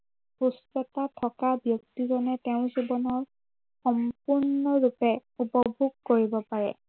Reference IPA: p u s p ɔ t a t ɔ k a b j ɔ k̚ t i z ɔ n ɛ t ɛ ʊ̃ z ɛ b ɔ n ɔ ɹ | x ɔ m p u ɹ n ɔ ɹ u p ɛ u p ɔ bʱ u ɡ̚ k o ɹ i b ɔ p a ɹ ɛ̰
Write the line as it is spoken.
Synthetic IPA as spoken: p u s t ɔ t a tʰ ɔ k a b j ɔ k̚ t i z ɔ n ɛ t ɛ ʊ̃ z i b ɔ n ɔ ɹ | x ɔ m p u ɹ n ɔ ɹ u p ɛ u p ɔ bʱ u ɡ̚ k o ɹ i b ɔ p a ɹ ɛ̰